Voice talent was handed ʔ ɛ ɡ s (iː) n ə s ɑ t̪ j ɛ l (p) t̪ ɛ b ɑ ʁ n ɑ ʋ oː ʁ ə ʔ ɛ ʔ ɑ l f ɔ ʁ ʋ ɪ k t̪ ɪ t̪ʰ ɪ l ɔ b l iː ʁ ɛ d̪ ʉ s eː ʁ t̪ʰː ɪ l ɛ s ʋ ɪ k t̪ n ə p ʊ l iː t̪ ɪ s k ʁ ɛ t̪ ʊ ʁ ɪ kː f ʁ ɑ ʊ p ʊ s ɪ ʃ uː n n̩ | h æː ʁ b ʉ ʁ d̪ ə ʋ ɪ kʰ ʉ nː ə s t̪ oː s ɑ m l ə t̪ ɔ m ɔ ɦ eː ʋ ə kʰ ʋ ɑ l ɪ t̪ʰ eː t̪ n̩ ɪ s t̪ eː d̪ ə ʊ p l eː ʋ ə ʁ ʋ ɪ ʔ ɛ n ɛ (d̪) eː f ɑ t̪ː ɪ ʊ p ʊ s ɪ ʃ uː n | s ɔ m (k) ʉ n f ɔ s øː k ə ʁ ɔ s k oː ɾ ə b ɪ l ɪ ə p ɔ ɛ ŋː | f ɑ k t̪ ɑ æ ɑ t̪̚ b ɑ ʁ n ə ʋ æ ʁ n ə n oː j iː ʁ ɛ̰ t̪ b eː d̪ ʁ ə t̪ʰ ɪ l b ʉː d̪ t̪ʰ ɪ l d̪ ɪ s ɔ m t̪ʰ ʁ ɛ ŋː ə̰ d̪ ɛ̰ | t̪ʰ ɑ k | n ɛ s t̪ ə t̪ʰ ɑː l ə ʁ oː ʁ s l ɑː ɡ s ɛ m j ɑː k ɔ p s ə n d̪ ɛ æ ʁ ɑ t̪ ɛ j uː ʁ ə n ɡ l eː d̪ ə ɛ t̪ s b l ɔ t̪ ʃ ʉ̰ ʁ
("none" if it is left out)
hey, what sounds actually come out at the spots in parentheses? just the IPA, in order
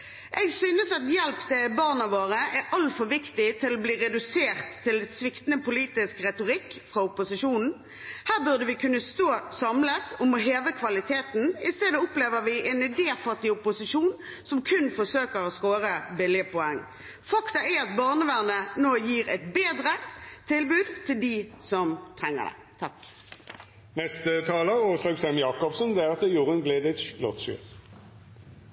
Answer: yː, p, d̪, kʰ

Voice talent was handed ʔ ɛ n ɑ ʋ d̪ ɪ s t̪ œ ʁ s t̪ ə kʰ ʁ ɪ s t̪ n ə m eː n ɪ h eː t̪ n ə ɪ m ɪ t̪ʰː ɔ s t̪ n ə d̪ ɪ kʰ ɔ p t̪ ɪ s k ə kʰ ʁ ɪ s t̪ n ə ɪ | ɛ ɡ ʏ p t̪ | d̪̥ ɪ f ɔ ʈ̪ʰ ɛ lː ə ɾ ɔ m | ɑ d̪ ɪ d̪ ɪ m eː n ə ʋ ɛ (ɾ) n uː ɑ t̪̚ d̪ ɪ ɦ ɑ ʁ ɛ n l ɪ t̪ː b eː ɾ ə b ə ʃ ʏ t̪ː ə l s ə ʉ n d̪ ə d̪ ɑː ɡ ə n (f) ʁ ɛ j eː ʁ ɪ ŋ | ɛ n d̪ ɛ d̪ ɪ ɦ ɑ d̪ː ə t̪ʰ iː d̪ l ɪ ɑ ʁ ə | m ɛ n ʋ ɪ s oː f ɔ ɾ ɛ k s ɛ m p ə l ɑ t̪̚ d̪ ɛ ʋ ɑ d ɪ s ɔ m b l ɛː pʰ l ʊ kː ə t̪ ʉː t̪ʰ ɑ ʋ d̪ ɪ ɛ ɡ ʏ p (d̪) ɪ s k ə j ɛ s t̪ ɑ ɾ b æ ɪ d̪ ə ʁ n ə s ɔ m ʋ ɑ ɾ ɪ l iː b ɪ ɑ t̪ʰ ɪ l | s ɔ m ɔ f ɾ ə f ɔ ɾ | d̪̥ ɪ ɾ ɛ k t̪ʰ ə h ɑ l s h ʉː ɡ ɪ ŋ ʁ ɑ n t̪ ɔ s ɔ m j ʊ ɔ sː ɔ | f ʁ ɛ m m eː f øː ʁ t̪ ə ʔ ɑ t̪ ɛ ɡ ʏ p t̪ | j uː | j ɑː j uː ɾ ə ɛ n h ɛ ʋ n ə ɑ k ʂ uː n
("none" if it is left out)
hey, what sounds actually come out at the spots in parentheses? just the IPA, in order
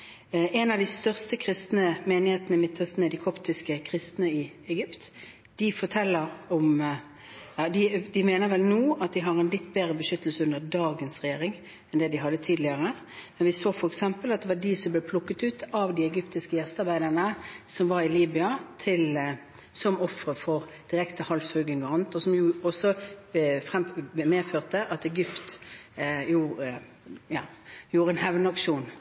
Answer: l, s, t̪

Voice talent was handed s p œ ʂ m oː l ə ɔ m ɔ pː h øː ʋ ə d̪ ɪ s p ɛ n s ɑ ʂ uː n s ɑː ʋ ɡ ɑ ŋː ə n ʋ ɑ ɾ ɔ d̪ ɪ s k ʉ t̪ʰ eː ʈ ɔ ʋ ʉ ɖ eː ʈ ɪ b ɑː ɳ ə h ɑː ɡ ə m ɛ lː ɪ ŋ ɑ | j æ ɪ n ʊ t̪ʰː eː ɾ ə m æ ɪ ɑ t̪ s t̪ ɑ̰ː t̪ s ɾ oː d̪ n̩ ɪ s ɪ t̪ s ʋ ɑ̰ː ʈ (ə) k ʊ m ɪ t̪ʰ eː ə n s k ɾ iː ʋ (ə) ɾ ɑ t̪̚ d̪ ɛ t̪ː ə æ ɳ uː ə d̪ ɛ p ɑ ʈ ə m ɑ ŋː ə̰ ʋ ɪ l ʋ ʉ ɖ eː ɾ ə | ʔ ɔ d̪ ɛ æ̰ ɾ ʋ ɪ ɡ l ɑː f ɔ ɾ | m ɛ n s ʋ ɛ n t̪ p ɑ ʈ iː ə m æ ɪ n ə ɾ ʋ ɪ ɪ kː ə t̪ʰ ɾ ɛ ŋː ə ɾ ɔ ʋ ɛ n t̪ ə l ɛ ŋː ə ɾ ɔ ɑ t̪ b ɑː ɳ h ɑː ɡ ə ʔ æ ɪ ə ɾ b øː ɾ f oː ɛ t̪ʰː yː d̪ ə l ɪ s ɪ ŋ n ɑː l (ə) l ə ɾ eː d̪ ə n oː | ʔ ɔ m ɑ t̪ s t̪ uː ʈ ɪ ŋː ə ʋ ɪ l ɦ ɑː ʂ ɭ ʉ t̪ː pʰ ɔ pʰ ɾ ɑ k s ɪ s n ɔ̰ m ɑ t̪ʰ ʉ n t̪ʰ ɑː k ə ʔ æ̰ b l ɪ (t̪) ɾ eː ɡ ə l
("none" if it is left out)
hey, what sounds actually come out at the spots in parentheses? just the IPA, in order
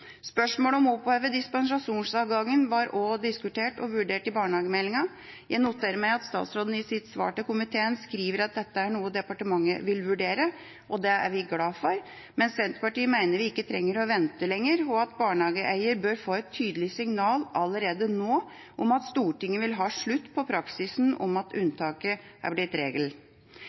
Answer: ə, ə, ɑ, t̪

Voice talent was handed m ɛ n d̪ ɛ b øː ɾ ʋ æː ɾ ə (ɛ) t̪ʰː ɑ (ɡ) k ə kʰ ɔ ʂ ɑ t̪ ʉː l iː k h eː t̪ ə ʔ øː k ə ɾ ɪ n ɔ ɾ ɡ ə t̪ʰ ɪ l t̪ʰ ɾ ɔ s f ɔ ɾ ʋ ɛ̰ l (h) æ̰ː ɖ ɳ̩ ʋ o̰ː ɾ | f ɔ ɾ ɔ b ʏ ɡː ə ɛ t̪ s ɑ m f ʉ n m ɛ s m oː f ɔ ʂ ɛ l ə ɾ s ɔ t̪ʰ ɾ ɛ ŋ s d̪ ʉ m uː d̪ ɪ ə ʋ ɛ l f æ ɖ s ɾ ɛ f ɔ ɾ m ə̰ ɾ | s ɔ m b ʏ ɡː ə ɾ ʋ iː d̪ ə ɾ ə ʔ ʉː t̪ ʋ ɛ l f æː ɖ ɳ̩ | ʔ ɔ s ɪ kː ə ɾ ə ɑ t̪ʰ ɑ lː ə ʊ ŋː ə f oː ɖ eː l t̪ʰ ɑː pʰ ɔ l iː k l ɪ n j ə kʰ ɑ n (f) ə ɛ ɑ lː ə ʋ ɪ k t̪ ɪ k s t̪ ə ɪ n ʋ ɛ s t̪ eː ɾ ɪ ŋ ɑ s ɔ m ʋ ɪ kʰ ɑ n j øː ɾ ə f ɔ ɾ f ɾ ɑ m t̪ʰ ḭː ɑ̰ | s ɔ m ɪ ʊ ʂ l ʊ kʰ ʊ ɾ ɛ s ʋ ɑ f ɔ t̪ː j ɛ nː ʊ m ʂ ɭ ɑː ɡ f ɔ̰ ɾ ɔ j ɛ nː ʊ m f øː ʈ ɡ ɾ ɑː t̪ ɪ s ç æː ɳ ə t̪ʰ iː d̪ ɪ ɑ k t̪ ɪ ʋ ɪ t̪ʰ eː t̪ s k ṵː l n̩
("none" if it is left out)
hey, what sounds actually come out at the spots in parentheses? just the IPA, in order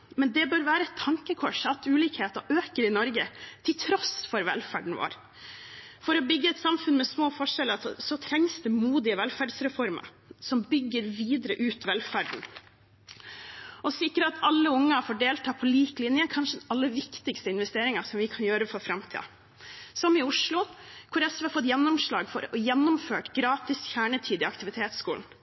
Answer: ɛ, ŋ, f, ʂ

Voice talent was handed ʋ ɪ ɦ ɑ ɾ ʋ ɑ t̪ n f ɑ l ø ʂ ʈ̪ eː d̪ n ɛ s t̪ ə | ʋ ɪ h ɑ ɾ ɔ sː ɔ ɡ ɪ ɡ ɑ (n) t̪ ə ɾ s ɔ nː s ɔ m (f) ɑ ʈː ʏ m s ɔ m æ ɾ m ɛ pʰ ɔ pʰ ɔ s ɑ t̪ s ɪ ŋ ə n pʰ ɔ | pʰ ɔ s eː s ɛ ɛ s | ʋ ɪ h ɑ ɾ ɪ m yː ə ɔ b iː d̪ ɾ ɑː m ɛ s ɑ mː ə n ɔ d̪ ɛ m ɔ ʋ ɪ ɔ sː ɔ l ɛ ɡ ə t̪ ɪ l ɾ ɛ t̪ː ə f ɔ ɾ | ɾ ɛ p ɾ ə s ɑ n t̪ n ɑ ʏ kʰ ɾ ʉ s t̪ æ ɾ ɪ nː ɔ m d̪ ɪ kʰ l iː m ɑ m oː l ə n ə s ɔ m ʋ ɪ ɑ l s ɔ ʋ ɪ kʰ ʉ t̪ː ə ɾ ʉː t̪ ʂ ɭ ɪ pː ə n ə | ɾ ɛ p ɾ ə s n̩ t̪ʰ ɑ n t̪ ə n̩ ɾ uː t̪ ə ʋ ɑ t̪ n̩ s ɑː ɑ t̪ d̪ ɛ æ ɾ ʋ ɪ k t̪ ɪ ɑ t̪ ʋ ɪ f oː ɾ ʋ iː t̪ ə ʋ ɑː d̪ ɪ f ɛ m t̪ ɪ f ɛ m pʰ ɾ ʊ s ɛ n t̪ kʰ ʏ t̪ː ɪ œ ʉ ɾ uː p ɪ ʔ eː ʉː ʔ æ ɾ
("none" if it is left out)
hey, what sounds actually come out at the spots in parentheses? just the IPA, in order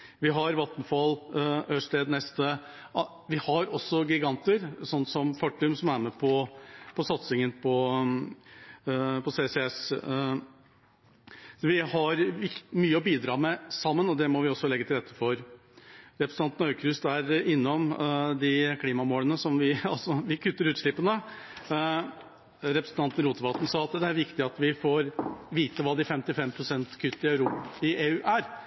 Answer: n, f

